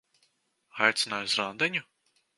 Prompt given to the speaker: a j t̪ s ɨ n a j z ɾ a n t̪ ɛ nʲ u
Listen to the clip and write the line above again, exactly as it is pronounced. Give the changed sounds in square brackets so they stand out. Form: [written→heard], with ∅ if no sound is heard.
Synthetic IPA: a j t̪ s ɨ n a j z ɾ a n [t̪→d̪] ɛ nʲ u